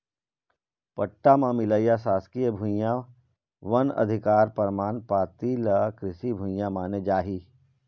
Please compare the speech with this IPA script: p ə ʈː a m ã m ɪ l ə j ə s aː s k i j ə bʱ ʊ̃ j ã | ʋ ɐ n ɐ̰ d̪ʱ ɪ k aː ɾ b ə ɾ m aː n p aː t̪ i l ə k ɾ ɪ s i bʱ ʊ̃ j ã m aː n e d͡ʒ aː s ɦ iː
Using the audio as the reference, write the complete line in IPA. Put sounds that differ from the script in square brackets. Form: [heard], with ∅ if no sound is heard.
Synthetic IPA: p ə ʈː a m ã m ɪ l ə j [a] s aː s k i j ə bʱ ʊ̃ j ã | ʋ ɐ n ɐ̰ d̪ʱ ɪ k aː ɾ [p] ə ɾ m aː n p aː t̪ i l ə k ɾ ɪ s i bʱ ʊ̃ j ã m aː n e d͡ʒ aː [∅] ɦ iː